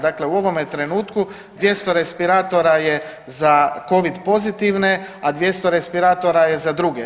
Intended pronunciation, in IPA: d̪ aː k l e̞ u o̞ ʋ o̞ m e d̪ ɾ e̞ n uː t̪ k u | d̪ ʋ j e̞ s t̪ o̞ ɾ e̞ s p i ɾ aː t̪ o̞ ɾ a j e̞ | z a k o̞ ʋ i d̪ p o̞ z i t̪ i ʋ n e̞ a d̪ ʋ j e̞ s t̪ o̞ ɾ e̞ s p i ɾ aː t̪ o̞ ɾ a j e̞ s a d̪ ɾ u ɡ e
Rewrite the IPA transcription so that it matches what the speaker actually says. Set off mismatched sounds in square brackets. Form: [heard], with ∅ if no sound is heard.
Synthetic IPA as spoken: d̪ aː k l e̞ u o̞ ʋ o̞ m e [t̪] ɾ e̞ n uː t̪ k u | d̪ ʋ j e̞ s t̪ o̞ ɾ e̞ s p i ɾ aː t̪ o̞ ɾ a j e̞ | z a k o̞ ʋ i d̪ p o̞ z i t̪ i ʋ n e̞ a d̪ ʋ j e̞ s t̪ o̞ ɾ e̞ s p i ɾ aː t̪ o̞ ɾ a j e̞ [z] a d̪ ɾ u ɡ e